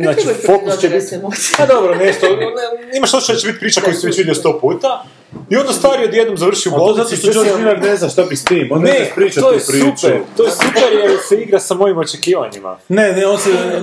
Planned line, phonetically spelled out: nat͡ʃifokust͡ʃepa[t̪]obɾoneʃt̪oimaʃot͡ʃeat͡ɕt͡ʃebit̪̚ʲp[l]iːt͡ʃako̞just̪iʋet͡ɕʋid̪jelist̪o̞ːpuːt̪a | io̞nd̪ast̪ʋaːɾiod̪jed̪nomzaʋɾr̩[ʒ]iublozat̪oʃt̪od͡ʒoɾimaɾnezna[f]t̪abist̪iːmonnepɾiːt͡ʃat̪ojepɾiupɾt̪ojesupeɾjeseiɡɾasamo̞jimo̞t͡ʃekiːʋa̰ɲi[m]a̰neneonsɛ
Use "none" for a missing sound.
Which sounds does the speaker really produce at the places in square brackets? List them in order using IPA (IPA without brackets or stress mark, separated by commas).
d̪, ɾ, ʃ, ʃ, m